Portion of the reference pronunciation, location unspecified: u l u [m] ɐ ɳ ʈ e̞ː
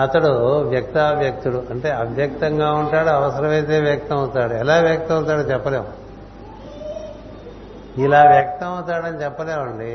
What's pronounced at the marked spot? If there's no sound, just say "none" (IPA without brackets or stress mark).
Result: none